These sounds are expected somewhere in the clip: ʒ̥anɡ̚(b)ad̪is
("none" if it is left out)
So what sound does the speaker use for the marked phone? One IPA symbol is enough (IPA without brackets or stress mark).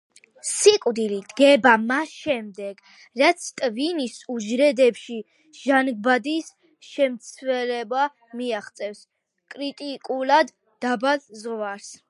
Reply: b